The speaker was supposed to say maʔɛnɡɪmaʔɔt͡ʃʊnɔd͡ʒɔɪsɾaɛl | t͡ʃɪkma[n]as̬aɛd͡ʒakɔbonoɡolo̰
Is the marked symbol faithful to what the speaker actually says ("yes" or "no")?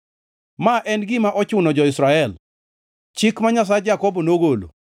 no